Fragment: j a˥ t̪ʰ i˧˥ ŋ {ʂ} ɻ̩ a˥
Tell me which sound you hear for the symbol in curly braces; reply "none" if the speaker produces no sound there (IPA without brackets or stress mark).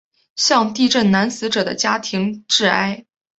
ʈ͡ʂ